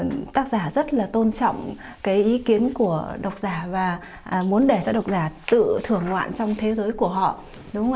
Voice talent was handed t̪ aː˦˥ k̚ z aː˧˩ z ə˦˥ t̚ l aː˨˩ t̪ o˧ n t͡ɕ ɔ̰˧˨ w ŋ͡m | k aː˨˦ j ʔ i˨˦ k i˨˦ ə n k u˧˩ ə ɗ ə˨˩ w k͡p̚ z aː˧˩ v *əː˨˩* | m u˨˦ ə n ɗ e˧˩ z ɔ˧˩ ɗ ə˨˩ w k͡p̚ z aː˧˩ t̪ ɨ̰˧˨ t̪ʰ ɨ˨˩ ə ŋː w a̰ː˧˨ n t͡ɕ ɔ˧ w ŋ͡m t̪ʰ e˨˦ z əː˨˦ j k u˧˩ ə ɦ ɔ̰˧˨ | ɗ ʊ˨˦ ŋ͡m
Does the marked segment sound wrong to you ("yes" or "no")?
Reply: yes